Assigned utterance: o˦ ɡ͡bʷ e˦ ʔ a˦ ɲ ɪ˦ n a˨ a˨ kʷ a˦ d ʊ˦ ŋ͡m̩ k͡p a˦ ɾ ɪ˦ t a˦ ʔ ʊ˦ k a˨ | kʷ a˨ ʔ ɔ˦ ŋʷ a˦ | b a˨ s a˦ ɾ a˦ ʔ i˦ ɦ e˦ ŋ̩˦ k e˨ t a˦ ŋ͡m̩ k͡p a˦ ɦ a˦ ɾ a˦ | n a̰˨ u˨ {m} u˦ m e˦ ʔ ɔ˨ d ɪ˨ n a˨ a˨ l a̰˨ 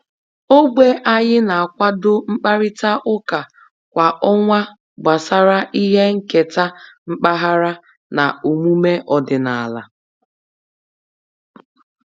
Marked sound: correct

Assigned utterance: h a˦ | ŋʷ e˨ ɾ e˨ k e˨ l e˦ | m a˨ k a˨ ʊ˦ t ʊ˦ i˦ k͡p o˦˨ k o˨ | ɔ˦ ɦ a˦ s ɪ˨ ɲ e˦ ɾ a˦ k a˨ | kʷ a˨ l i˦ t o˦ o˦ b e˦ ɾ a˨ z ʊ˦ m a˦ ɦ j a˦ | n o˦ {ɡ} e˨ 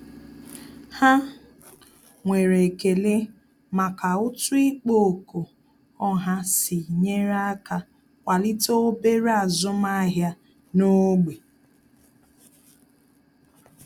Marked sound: incorrect: ɡ͡b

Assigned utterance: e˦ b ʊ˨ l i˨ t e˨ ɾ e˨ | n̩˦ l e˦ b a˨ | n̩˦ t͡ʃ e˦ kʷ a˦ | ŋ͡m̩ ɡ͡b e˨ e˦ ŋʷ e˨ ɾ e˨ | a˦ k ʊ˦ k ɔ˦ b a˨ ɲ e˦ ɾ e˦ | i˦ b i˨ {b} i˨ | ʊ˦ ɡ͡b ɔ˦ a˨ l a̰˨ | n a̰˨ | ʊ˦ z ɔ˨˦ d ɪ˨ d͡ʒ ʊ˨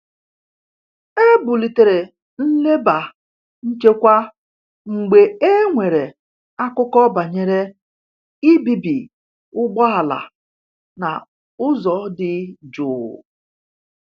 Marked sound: correct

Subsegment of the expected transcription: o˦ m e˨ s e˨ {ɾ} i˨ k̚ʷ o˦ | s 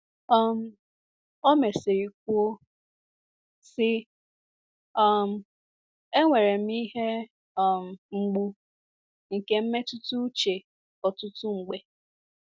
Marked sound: correct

